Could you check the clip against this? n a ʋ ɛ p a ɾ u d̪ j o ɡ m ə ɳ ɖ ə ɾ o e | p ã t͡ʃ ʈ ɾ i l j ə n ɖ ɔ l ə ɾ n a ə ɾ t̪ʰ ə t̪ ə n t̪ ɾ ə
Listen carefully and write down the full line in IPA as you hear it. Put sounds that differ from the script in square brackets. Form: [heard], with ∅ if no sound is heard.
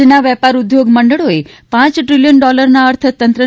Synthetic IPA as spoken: n a ʋ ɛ p a ɾ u d̪ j o ɡ m ə ɳ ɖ ə [ɭ] o e | p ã t͡ʃ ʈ ɾ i l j ə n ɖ ɔ l ə ɾ n a ə ɾ t̪ʰ ə t̪ ə n t̪ ɾ ə